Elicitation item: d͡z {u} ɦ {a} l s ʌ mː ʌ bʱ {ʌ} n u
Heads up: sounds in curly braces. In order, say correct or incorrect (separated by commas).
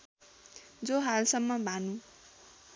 incorrect, correct, incorrect